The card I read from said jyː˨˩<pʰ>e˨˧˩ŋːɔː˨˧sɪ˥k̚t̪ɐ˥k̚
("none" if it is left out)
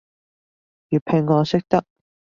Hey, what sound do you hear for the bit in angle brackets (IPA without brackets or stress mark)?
pʰ